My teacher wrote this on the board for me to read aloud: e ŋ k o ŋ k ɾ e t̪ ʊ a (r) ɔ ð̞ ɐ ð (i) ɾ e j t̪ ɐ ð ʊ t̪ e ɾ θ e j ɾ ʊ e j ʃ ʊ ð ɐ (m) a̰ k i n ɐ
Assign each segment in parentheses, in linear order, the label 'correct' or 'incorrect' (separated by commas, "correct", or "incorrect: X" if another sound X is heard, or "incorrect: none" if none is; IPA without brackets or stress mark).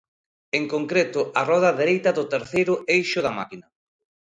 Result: correct, incorrect: e, correct